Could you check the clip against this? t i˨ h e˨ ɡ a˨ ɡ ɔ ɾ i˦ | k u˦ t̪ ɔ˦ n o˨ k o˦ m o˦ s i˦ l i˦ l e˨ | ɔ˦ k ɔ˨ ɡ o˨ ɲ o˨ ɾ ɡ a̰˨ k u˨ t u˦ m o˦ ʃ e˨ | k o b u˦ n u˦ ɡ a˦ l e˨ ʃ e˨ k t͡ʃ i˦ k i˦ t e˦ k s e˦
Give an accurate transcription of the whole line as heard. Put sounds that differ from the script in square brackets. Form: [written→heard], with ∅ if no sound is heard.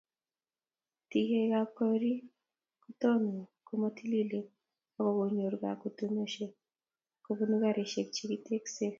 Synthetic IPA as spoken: t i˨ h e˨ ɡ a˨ [ɡ→k] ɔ ɾ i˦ | k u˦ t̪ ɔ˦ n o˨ k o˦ m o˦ [s→t] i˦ l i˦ l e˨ | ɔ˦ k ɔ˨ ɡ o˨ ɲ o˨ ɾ ɡ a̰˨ k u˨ t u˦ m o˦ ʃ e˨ | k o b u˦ n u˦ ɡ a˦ [l→ɾ] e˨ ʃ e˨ k t͡ʃ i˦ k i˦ t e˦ k s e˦